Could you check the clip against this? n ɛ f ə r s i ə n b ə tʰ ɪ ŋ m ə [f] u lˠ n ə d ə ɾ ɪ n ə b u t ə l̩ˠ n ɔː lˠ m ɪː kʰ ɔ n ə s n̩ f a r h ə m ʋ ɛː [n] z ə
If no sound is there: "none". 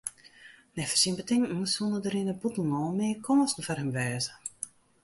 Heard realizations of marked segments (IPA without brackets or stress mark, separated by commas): s, none